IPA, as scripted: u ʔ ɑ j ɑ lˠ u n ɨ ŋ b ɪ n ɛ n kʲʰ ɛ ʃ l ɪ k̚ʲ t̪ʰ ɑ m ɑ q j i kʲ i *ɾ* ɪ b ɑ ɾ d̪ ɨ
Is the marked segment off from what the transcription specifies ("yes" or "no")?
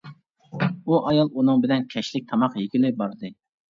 yes